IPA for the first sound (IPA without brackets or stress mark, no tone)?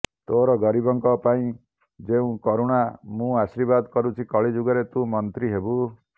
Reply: t̪